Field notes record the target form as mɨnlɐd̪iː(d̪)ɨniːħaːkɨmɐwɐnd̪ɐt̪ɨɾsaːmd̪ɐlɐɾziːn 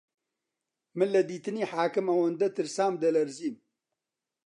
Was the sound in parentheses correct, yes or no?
no